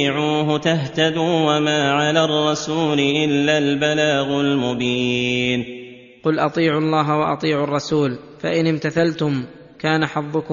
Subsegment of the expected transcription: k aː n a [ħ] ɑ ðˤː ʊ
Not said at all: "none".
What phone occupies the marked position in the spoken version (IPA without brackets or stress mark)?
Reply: ħ